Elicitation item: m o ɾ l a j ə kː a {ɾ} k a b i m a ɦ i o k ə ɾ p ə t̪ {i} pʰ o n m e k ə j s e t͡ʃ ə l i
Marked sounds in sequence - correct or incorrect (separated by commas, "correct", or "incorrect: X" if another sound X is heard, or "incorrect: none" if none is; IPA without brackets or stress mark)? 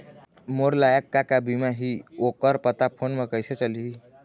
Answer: incorrect: none, incorrect: a